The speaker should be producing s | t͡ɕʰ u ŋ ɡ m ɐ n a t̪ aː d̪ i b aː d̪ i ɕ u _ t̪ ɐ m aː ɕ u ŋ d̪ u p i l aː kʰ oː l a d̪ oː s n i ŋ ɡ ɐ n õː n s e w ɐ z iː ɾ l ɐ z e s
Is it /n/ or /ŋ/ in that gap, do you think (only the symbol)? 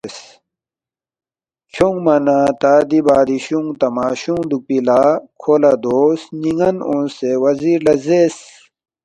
ŋ